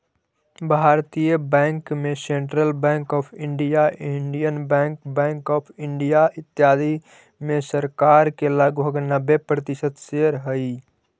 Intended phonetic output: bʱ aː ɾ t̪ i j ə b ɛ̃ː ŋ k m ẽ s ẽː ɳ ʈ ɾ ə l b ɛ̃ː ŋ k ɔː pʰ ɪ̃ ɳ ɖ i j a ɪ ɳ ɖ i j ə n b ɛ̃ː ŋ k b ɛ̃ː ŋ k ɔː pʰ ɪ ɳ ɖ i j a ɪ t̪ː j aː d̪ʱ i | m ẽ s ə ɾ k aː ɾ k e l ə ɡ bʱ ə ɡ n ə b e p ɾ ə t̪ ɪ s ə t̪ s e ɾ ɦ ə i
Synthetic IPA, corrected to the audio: bʱ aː ɾ t̪ i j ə b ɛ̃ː ŋ k m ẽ s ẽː ɳ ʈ ɾ ə l b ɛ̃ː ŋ k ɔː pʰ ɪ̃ ɳ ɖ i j a ɪ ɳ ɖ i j ə n b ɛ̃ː ŋ k b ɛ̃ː ŋ k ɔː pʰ ɪ ɳ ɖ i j a ɪ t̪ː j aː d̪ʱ i | m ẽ s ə ɾ k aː ɾ k e l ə ɡ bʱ ə ɡ n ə b e p ɾ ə t̪ ɪ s ə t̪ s e ɾ ɦ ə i